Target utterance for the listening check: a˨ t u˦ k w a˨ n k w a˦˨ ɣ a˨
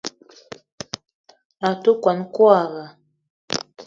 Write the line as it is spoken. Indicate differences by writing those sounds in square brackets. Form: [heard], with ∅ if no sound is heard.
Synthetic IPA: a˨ t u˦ k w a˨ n k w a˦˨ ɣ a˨

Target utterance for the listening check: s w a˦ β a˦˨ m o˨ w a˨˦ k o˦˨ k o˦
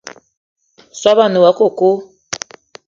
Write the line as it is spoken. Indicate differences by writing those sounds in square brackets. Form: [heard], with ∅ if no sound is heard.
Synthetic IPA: s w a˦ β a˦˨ [n] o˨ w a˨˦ k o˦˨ k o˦

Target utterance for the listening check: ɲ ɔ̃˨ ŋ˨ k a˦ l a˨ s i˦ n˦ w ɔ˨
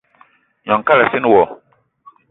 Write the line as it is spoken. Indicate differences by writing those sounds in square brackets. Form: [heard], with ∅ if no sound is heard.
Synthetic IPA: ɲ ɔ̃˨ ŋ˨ k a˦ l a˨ s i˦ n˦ w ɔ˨

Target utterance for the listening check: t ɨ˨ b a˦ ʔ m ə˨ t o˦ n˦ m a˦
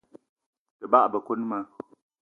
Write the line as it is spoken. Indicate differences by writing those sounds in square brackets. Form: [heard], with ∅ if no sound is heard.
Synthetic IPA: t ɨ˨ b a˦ ʔ [b] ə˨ [k] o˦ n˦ m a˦

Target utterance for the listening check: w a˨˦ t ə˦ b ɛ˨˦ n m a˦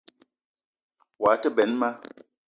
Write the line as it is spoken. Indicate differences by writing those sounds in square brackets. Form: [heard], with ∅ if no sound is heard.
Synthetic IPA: w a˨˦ t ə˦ b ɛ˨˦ n m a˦

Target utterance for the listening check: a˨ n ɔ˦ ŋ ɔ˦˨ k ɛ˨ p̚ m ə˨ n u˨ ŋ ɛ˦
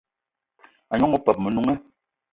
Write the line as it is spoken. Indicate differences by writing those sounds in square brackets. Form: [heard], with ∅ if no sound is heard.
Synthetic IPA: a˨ [ɲ] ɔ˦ ŋ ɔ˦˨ [p] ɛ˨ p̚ m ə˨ n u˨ ŋ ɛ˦

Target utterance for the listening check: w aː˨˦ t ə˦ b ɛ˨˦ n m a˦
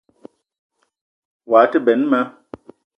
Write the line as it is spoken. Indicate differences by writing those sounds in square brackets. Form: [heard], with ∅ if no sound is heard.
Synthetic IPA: w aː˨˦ t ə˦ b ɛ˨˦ n m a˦

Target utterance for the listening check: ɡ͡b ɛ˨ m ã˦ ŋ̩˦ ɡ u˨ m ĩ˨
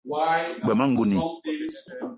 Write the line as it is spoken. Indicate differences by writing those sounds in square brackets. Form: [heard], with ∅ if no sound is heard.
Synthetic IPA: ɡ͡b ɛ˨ m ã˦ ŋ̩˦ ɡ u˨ [n] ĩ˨

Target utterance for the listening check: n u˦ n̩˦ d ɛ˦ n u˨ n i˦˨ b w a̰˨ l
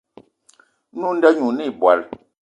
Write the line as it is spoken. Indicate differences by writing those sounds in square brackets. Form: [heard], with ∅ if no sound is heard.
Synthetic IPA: n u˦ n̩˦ d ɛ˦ [ɲ] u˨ n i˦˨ b w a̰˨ l

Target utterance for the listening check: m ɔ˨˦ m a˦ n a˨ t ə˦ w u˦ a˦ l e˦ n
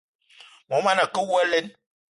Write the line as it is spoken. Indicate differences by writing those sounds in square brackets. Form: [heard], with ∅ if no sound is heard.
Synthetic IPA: m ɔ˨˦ m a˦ n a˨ [k] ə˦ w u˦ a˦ l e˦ n

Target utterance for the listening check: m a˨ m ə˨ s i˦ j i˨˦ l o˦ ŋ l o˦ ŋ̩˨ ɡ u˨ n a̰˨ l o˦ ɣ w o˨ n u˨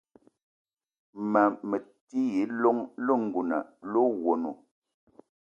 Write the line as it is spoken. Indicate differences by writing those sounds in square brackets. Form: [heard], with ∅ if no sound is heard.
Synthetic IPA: m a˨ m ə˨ [t] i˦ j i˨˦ l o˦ ŋ l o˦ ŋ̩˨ ɡ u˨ n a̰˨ l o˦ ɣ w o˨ n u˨

